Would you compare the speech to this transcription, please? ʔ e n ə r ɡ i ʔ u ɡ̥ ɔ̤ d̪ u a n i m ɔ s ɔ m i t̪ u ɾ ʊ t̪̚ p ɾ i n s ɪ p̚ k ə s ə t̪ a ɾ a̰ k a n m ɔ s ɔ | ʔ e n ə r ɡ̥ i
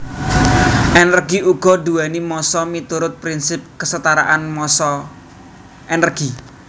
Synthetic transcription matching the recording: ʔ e n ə r ɡ i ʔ u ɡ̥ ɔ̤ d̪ u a n i m ɔ s ɔ m i t̪ u ɾ ʊ t̪̚ p ɾ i n s ɪ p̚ k ə s ə t̪ a ɾ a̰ ʔ a n m ɔ s ɔ | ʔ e n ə r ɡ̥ i